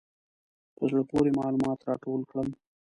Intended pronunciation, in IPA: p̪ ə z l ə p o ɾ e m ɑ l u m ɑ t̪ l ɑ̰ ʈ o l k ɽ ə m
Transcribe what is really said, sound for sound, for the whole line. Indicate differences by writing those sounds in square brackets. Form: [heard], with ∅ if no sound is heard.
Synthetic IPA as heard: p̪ ə z [ɽ] ə p o ɾ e m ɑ l u m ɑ t̪ [ɾ] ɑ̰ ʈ o l k ɽ ə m